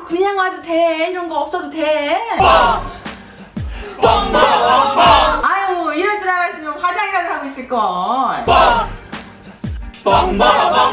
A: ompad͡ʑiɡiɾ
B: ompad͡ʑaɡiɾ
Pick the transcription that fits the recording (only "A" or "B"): B